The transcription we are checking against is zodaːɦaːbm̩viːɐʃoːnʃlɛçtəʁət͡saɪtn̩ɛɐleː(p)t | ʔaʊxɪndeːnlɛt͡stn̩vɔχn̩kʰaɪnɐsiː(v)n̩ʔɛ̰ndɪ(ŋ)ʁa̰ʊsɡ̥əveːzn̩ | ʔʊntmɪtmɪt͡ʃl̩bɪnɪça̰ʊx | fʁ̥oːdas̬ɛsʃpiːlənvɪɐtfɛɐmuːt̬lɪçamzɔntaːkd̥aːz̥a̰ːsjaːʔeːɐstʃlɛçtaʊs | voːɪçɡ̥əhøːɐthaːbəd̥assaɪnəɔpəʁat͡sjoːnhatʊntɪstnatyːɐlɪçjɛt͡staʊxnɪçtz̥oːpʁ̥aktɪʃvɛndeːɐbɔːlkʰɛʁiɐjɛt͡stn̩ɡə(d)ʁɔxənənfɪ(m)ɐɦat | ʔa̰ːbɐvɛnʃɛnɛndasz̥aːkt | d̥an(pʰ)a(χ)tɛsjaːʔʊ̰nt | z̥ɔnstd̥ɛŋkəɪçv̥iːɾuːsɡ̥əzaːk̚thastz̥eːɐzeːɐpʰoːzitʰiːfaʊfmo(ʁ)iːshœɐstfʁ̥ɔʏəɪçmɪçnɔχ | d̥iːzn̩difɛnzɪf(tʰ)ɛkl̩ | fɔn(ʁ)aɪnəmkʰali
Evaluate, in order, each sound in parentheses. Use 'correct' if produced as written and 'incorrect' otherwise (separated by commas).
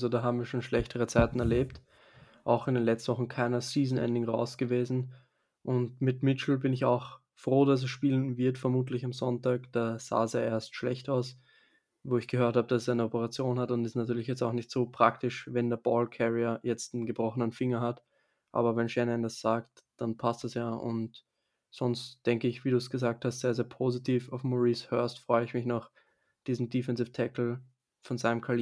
correct, incorrect, correct, incorrect, incorrect, correct, incorrect, correct, correct, incorrect